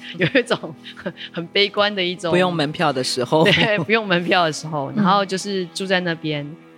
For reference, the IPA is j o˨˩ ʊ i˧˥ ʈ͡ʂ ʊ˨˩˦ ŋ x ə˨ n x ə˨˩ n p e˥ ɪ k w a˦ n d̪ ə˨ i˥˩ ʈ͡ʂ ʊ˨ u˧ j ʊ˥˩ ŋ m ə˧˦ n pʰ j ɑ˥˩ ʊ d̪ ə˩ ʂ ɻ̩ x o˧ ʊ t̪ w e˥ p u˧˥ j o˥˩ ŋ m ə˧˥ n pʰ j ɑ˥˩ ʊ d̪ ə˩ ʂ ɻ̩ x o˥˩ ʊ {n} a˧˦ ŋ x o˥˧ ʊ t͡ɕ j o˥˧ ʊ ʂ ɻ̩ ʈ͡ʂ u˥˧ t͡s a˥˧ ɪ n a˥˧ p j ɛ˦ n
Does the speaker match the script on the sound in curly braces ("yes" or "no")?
yes